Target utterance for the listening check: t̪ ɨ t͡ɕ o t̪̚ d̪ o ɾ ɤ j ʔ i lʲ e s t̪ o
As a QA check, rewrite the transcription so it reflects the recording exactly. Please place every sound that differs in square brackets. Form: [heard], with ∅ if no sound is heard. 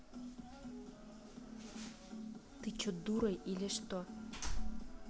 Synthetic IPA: t̪ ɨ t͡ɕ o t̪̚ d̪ [u] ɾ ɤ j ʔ i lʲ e [ʃ] t̪ o